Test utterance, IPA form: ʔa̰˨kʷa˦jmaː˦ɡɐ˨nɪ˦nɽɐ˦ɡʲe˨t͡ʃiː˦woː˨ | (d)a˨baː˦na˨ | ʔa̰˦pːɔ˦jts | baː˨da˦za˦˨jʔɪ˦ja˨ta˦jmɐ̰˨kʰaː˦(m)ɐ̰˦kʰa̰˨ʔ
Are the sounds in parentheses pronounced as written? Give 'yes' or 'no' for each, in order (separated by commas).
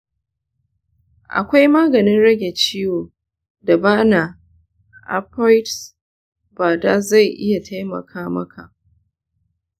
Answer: yes, yes